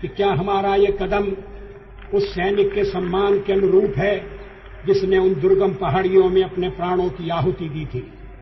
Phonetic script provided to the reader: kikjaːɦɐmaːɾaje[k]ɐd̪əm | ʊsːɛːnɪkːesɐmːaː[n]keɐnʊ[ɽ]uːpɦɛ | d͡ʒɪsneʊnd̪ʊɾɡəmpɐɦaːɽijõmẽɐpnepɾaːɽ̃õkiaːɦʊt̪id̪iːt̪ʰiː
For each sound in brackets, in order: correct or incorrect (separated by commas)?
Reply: correct, correct, incorrect